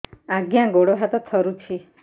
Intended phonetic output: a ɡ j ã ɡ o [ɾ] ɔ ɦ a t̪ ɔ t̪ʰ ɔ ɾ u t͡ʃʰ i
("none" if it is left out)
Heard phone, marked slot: ɽ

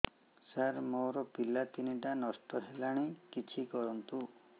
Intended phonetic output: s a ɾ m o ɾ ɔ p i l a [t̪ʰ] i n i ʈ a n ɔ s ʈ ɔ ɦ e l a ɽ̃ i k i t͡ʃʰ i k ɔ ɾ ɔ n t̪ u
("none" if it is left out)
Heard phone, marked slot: t̪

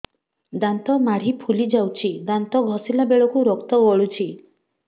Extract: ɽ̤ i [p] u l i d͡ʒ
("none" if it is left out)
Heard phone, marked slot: pʰ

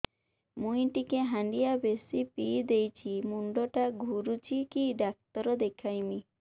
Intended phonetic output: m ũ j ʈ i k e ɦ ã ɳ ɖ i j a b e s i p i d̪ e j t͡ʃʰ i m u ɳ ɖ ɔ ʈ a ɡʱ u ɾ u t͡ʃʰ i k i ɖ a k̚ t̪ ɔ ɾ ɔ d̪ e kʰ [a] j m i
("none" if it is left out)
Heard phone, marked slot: a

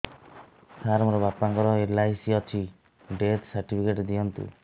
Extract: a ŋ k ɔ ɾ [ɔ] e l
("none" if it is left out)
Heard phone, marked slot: ɔ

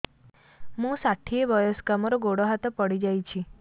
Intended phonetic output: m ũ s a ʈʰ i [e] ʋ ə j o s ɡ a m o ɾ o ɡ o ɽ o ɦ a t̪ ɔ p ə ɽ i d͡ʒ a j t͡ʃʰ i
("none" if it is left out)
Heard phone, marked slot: e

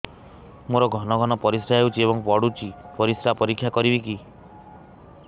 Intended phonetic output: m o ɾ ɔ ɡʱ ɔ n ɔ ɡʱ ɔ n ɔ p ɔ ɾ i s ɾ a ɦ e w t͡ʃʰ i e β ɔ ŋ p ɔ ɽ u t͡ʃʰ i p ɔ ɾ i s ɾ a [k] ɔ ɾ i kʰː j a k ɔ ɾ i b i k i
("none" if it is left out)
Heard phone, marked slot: p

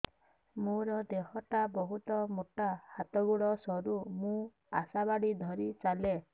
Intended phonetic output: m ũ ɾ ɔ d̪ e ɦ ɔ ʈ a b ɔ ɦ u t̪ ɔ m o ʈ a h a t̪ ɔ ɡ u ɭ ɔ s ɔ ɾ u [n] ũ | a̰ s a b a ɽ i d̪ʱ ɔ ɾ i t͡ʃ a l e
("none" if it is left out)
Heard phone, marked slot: m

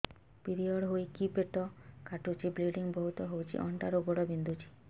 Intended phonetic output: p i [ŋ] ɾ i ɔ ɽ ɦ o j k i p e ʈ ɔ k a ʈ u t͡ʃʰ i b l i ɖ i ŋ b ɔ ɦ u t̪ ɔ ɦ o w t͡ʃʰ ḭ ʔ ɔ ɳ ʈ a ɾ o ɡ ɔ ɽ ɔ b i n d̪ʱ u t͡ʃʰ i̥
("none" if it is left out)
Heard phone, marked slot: none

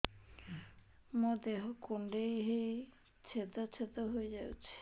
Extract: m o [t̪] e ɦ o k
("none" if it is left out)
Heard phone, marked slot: d̪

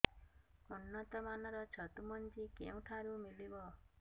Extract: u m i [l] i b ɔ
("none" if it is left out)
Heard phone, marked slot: l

